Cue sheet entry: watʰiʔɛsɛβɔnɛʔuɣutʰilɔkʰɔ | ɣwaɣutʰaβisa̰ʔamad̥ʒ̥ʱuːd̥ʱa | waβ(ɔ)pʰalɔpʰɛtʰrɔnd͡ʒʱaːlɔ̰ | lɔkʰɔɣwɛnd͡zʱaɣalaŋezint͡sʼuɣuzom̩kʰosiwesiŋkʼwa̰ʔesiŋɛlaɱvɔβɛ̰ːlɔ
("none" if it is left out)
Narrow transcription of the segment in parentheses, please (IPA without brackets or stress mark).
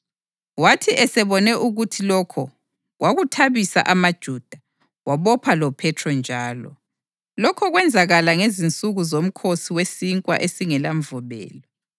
ɔ